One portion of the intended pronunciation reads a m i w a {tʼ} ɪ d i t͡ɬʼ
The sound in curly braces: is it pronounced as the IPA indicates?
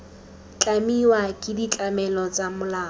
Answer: no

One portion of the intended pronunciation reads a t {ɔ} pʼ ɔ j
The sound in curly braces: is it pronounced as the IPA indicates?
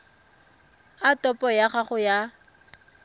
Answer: yes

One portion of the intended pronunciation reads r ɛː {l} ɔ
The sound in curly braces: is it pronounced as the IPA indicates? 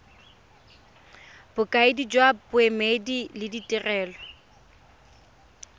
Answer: yes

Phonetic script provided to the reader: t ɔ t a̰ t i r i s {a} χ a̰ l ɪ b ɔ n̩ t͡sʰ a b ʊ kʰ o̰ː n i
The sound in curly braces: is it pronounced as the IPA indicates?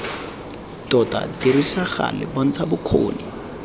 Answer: yes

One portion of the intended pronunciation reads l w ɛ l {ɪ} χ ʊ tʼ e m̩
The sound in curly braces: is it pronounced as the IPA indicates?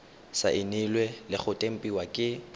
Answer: yes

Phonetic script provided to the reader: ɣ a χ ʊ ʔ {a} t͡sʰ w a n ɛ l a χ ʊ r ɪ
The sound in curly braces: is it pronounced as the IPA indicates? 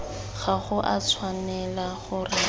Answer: yes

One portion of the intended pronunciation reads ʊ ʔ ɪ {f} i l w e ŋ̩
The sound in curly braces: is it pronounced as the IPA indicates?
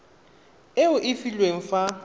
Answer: yes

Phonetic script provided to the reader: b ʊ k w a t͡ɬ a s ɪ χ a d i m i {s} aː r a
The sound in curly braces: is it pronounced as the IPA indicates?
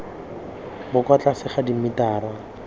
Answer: no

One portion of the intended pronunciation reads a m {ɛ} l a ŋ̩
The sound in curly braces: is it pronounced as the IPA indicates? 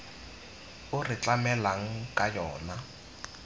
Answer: yes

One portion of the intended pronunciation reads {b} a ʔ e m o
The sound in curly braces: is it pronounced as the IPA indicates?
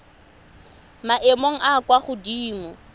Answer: no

